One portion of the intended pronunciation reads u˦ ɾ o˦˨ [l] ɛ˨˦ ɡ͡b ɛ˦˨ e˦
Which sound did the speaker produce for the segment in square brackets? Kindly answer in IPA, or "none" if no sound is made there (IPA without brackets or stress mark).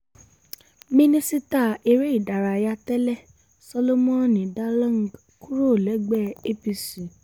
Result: l